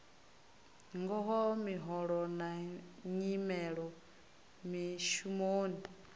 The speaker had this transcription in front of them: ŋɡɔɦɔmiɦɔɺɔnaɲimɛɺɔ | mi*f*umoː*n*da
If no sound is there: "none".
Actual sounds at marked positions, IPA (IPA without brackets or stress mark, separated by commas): ʃ, n